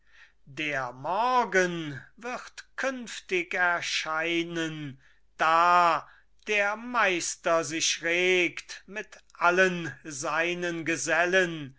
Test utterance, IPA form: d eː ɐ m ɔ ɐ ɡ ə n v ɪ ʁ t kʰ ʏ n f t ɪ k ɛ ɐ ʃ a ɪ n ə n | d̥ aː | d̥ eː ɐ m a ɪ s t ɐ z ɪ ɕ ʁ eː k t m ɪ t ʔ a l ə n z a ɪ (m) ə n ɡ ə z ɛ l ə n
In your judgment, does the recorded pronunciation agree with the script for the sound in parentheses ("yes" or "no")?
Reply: no